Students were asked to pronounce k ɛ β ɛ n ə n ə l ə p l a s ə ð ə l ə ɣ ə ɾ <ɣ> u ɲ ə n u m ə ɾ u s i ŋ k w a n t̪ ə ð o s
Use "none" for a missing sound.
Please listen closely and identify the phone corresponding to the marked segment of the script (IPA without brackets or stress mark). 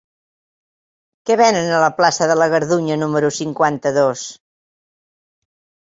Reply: ð